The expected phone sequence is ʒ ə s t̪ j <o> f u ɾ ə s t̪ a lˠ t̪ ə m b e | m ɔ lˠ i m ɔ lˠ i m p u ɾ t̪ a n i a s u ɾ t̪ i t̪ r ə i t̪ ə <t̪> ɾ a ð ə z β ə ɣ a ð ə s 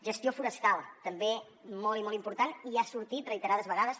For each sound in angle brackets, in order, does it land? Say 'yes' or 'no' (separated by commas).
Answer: yes, no